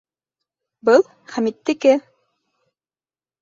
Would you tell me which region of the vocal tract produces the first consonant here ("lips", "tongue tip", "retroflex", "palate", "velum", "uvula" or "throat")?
lips